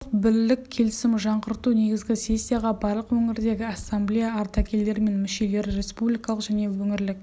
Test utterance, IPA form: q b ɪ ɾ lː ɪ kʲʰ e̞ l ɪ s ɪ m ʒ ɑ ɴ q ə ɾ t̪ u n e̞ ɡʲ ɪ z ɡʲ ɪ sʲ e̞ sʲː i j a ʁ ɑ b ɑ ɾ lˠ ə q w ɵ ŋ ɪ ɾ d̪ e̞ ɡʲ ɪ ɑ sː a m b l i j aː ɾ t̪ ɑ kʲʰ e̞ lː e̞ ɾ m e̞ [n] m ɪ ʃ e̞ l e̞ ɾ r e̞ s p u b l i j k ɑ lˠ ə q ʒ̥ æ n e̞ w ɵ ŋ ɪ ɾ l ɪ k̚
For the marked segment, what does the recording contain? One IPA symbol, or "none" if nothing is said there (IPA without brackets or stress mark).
n